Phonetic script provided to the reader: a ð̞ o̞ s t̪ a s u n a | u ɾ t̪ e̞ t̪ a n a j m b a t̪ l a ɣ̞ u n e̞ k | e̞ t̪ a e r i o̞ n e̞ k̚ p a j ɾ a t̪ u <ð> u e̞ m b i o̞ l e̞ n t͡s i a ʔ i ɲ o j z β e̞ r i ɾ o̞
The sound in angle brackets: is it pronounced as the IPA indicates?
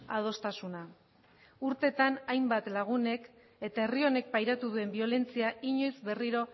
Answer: yes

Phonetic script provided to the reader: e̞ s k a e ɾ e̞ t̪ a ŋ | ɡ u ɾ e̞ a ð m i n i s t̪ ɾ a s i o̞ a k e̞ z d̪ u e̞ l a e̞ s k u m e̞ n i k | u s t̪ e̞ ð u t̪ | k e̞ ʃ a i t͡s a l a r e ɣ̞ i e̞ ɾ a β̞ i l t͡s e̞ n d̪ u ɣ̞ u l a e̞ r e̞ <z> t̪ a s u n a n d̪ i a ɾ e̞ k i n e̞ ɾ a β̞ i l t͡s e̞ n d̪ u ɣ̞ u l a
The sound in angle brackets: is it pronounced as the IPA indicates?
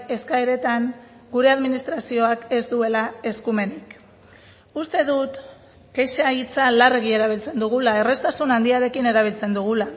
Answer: no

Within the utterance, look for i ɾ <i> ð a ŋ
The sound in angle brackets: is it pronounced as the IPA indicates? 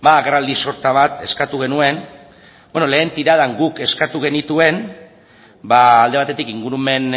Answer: no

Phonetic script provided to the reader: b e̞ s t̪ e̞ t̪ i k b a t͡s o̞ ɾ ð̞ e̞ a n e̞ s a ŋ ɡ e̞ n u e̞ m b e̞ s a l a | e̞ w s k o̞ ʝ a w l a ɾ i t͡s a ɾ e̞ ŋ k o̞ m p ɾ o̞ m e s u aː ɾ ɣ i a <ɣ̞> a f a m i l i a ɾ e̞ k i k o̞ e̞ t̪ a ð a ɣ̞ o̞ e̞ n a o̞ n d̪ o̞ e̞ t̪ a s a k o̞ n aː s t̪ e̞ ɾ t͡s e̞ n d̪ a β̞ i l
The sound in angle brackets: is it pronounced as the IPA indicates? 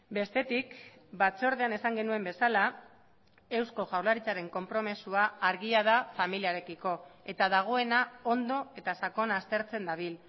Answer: no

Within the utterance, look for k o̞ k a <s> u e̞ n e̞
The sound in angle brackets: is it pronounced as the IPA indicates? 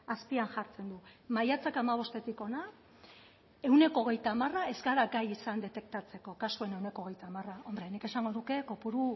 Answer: yes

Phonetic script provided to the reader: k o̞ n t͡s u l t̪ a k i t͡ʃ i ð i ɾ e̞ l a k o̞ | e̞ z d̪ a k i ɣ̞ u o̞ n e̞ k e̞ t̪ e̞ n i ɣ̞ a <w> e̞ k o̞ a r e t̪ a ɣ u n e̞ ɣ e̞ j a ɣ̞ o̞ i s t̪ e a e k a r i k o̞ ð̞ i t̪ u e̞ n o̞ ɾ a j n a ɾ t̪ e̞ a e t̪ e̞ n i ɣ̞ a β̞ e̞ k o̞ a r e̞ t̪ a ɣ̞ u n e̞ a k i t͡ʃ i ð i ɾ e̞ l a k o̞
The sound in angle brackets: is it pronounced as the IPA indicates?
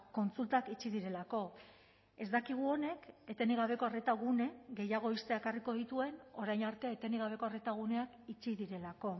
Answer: no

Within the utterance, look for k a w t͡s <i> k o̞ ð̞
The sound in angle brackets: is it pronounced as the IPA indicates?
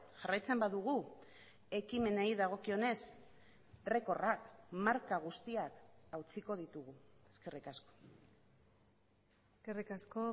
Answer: yes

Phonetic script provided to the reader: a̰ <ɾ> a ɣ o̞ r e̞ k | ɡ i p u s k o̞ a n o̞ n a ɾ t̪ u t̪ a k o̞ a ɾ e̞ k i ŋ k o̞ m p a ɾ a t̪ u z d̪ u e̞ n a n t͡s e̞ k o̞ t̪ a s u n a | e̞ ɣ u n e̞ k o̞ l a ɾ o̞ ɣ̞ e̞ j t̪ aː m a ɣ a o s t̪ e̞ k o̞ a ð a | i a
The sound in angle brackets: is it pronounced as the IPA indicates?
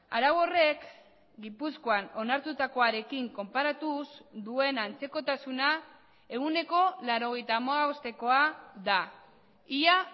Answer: yes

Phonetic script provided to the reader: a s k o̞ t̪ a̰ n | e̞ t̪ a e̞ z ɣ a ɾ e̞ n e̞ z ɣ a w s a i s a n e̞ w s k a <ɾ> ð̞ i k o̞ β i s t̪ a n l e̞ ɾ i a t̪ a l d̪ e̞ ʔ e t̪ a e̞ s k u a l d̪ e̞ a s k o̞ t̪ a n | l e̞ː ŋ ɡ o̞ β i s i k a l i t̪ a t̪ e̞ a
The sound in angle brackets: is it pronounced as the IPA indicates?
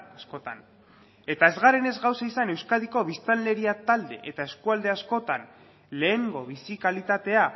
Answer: no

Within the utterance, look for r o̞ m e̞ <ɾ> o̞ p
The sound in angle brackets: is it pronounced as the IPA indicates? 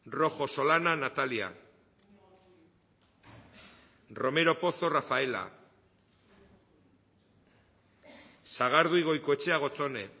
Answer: yes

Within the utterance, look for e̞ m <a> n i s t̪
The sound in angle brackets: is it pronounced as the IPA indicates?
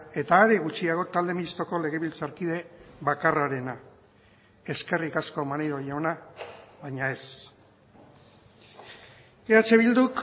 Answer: no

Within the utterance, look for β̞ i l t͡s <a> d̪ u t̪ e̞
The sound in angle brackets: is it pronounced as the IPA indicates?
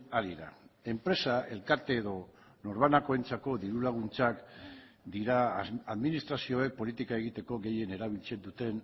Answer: no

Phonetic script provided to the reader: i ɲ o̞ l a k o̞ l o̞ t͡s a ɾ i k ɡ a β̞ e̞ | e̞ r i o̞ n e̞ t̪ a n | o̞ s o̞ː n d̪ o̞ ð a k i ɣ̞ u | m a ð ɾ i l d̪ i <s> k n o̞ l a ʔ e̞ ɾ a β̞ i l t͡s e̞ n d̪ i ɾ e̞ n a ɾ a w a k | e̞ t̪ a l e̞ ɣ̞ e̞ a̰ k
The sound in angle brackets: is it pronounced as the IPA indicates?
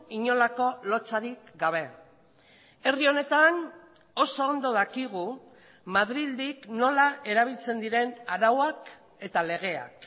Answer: no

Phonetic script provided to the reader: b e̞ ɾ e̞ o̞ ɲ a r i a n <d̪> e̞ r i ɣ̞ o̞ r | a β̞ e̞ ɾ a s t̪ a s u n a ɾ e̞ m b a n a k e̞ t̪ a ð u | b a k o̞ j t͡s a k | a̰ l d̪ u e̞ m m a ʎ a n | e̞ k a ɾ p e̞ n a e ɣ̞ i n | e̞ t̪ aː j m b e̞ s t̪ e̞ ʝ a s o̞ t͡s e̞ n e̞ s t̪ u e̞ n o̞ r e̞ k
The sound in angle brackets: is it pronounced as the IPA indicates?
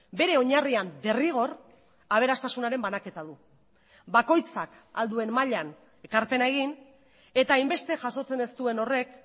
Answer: yes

